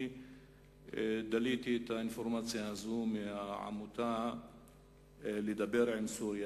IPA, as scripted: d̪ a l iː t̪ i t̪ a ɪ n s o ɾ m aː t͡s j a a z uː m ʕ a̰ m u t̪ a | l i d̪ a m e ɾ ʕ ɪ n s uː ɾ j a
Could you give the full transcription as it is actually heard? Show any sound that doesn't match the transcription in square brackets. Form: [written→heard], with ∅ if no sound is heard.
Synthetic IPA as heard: d̪ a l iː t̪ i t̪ a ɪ n [s→f] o ɾ m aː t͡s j a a z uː m ʕ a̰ m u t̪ a | l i d̪ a [m→b] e ɾ ʕ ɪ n s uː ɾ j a